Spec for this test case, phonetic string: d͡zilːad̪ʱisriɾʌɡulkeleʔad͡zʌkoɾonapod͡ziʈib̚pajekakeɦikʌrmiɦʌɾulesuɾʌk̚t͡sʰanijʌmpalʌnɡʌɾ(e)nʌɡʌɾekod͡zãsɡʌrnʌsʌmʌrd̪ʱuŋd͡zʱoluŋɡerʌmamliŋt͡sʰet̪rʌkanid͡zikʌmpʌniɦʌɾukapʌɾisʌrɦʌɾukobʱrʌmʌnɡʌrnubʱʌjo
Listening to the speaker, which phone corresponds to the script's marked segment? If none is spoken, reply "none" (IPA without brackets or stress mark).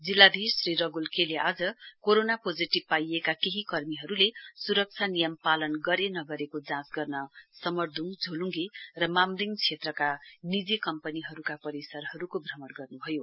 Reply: e